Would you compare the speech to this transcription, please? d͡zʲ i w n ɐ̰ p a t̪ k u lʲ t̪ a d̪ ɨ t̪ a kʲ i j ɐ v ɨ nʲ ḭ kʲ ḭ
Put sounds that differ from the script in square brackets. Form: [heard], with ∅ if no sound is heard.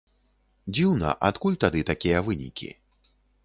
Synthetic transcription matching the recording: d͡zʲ i w n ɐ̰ [ʔ] a t̪ k u lʲ t̪ a d̪ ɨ t̪ a kʲ i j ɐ v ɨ nʲ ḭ kʲ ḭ